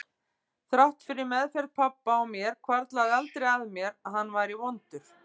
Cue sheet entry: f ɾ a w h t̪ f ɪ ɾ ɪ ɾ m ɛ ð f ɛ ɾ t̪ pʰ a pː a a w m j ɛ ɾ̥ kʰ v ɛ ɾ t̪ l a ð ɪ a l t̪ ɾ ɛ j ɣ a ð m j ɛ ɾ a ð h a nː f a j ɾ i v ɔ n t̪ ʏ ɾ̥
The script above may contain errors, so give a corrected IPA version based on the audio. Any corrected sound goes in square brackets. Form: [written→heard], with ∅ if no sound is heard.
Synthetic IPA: [f→θ] ɾ a w h t̪ f ɪ ɾ ɪ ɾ m ɛ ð f ɛ ɾ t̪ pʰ a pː a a w m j ɛ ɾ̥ kʰ v [ɛ→a] ɾ t̪ l a ð ɪ a l t̪ ɾ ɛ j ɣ a ð m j ɛ ɾ a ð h a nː [f→v] a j ɾ i v ɔ n t̪ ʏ ɾ̥

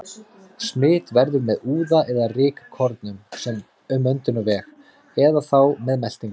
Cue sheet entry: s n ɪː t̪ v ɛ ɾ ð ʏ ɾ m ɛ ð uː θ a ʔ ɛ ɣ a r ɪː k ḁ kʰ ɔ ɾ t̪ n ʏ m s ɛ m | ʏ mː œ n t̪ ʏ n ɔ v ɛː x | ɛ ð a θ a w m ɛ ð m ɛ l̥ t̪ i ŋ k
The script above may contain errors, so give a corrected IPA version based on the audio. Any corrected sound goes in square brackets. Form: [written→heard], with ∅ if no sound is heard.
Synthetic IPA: s [n→m] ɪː t̪ v ɛ ɾ ð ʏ ɾ m ɛ ð uː [θ→ð] a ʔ ɛ [ɣ→ð] a r ɪː k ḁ kʰ ɔ ɾ t̪ n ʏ m s ɛ m | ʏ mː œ n t̪ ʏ n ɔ v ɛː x | ɛ ð a θ a w m ɛ ð m ɛ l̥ t̪ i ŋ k

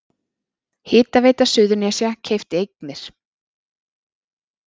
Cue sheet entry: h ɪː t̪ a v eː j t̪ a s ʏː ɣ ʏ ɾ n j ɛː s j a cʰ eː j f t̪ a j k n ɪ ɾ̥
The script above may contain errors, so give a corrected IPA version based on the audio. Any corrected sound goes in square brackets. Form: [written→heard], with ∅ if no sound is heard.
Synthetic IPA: h ɪː t̪ a v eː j t̪ a s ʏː [ɣ→ð] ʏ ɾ n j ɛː s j a cʰ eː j f t̪ [a→e] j k n ɪ ɾ̥

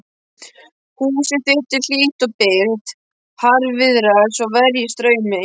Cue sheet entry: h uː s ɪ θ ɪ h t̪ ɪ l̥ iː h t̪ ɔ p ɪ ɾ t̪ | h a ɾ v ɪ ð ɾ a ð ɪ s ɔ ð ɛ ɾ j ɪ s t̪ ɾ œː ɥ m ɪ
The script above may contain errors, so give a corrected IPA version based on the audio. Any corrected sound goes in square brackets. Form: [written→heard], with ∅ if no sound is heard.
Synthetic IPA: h uː s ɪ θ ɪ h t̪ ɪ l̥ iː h t̪ ɔ p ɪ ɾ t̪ | h a ɾ v ɪ ð ɾ a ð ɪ s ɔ [ð→v] ɛ ɾ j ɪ s t̪ ɾ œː ɥ m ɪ

